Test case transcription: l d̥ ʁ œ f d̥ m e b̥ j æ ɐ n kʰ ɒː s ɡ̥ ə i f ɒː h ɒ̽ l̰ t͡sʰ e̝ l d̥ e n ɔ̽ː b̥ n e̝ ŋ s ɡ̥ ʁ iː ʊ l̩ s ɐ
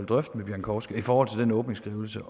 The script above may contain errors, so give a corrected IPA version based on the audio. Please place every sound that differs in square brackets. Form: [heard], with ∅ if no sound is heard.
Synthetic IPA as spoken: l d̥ ʁ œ f d̥ m e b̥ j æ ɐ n kʰ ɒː s ɡ̥ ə i f ɒː h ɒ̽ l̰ t͡sʰ e̝ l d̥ e n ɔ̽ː b̥ n e̝ ŋ s ɡ̥ ʁ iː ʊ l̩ s [ə]